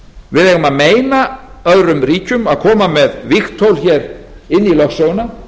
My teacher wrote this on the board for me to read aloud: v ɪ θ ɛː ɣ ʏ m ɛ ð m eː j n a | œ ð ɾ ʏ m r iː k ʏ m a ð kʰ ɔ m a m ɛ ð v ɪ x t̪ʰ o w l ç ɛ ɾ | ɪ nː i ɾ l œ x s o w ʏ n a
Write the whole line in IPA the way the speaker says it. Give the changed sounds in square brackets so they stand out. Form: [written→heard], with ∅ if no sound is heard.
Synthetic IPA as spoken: v ɪ [θ→ð] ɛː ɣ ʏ m [ɛ→a] ð m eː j n a | œ ð ɾ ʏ m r iː [k→c] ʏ m a ð kʰ [ɔ→ɔː] m a m ɛ ð v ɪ x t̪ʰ o w l ç ɛ ɾ | ɪ nː i [ɾ→∅] l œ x s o w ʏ n a